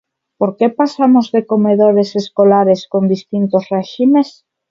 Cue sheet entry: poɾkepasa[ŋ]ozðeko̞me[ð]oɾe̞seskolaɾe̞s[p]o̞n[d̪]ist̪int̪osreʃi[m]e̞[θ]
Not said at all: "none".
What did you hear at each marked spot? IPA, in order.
m, ð, k, d̪, m, s

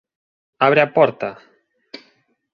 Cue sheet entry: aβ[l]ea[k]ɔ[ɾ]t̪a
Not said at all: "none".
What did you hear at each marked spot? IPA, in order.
ɾ, p, ɾ

